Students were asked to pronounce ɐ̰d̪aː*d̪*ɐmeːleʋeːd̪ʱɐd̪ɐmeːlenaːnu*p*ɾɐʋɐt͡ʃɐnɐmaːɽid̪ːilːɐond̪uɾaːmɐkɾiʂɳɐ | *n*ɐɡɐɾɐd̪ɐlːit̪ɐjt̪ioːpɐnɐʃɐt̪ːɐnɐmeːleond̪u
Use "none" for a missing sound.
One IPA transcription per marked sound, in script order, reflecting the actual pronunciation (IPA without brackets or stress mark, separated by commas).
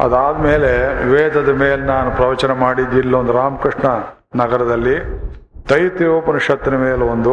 d̪, p, n